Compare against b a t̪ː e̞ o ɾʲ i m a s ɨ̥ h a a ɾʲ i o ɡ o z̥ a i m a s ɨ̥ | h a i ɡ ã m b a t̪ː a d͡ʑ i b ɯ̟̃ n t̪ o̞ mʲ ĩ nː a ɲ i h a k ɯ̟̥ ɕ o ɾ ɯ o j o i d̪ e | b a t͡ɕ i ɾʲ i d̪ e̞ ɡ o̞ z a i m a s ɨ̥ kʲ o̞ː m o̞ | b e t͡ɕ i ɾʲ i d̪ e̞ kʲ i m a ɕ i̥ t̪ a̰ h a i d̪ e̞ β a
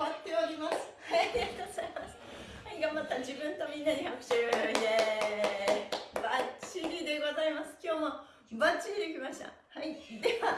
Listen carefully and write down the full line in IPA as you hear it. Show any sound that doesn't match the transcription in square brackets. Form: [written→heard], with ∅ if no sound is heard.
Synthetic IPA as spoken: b a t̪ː e̞ o ɾʲ i m a s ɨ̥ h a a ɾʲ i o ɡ o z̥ a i m a s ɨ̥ | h a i ɡ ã m b a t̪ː a d͡ʑ i b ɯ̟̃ n t̪ o̞ mʲ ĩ nː a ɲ i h a k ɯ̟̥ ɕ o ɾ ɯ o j o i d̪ e | b a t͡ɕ i ɾʲ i d̪ e̞ ɡ o̞ z a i m a s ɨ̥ kʲ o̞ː m o̞ | b [e→a] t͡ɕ i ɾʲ i d̪ e̞ kʲ i m a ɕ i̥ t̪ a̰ h a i d̪ e̞ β a